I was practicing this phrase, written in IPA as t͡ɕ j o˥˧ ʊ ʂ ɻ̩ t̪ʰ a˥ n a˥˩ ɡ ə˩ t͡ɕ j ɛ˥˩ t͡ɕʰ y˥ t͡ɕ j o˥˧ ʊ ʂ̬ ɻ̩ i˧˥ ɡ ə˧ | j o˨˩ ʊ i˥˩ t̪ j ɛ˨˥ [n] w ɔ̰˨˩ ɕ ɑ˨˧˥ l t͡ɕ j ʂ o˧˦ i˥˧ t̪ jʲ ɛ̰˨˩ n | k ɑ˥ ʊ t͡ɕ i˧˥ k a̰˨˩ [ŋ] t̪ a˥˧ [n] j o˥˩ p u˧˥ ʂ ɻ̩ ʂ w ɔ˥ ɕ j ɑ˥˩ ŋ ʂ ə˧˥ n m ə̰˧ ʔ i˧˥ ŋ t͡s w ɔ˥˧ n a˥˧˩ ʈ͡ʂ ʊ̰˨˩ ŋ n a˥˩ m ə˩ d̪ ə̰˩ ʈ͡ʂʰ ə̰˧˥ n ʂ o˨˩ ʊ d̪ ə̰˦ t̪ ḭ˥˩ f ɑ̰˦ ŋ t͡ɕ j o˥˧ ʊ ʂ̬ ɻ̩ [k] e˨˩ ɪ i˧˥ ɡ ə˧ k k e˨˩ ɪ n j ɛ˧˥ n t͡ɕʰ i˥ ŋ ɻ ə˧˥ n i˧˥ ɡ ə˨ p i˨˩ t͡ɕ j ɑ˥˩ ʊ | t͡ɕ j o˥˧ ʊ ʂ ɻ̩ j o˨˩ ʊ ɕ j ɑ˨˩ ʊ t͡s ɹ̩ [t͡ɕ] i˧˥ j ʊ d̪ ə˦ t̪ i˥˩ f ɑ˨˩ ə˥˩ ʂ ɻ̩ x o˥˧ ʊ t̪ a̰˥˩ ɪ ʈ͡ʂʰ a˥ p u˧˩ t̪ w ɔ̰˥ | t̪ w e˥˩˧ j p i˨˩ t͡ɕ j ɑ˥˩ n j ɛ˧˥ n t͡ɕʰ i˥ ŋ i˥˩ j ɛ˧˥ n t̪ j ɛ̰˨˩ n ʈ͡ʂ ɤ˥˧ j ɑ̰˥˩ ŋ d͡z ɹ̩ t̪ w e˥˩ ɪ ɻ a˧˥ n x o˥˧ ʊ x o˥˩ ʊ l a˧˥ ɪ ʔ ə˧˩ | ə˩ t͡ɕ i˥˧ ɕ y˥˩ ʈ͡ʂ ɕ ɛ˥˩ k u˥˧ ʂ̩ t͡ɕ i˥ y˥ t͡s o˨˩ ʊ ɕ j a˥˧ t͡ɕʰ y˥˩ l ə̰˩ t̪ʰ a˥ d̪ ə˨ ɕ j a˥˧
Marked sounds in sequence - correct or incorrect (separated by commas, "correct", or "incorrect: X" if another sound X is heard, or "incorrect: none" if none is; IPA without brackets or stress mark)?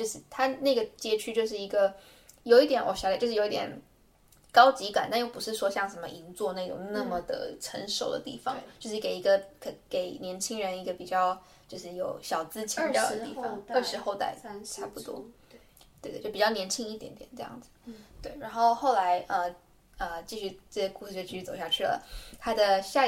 correct, incorrect: n, correct, correct, incorrect: t͡ɕʰ